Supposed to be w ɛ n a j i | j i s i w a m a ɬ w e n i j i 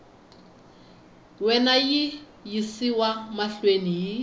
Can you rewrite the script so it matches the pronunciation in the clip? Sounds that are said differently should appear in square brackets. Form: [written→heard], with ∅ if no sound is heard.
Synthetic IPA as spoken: w ɛ n a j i | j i s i w a m a ɬ w e n i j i